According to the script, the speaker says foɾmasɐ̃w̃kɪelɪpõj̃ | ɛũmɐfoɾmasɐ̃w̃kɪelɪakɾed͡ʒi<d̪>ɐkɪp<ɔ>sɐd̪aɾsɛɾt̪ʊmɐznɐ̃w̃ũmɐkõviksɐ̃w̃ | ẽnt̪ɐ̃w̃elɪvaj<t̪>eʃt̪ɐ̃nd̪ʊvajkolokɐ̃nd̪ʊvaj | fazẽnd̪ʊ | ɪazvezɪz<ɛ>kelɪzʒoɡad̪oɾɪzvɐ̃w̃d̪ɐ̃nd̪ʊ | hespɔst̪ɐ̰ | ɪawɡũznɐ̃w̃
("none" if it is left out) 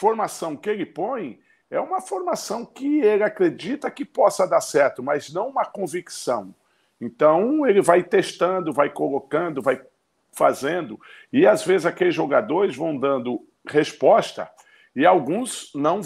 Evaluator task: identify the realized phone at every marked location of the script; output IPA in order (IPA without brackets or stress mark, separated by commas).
t̪, ɔ, t̪, a